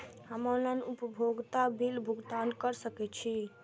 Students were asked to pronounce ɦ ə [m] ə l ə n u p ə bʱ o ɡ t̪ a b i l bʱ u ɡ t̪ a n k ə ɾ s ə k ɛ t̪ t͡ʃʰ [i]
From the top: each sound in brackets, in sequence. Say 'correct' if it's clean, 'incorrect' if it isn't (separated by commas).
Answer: correct, correct